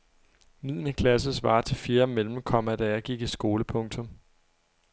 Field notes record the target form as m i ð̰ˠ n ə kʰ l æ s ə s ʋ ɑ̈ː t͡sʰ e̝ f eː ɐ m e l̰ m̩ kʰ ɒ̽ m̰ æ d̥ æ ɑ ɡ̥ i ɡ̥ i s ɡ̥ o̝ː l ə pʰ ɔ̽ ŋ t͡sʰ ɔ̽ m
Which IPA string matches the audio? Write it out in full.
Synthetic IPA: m i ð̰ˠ n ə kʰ l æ s ə s ʋ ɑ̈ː t͡sʰ e̝ f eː ɐ m e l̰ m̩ kʰ ɒ̽ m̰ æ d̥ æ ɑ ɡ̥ i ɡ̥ i s ɡ̥ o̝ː l ə pʰ ɔ̽ ŋ t͡sʰ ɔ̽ m